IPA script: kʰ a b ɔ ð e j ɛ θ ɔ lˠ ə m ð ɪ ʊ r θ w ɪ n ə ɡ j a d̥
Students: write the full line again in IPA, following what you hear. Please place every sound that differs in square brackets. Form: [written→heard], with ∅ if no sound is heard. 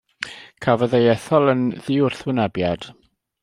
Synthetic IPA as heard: kʰ a [b→v] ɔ ð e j ɛ θ ɔ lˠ ə [m→n] ð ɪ ʊ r θ w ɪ n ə [ɡ→b] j a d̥